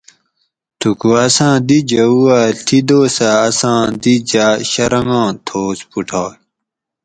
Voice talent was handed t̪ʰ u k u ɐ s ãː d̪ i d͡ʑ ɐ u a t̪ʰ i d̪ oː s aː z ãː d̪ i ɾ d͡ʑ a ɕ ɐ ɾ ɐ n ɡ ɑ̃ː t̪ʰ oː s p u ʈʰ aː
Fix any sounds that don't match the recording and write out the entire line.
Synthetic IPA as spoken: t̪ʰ u k u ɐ s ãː d̪ i d͡ʑ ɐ u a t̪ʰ i d̪ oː s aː s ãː d̪ i d͡ʑ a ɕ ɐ ɾ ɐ ŋ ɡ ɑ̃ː t̪ʰ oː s p u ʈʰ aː